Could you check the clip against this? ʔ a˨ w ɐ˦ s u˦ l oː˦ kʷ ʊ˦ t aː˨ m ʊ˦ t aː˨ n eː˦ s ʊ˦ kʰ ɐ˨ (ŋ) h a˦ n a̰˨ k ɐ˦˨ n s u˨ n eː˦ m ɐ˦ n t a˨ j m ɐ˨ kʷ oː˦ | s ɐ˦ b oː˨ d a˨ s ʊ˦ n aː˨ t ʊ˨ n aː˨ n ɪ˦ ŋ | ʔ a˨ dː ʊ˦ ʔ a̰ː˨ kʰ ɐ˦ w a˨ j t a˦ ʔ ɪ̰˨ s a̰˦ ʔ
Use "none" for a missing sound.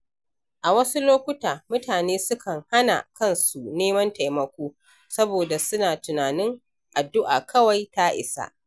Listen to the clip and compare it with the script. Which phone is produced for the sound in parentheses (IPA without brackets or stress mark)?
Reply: ŋ